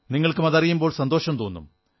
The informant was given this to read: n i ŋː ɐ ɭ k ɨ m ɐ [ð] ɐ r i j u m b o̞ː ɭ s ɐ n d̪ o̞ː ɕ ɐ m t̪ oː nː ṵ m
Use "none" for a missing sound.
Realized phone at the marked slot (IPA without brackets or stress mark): ð